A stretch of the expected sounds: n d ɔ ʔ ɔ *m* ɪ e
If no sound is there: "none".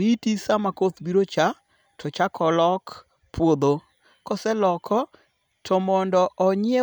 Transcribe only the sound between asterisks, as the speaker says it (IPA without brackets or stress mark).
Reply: ɲ